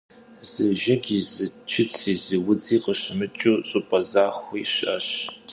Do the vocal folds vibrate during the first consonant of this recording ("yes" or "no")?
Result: yes